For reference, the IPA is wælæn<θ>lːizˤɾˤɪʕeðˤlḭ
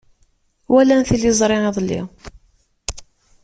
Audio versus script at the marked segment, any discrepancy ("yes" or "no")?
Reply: no